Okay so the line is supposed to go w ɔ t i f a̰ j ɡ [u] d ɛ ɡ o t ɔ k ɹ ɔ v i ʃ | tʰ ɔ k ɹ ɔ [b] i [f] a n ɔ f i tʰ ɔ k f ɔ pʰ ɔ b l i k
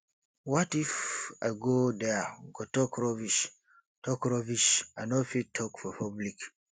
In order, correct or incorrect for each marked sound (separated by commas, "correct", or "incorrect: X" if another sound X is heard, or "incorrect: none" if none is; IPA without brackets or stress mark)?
incorrect: o, incorrect: v, incorrect: ʃ